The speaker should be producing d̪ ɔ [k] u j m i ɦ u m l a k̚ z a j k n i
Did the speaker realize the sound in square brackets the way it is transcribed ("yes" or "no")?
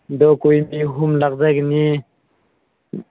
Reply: yes